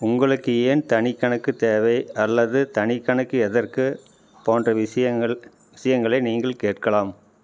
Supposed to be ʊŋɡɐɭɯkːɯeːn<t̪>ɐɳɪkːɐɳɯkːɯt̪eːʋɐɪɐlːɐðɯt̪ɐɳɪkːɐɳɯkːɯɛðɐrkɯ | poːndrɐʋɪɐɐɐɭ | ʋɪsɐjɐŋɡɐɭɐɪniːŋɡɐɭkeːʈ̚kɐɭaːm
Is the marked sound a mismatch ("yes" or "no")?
no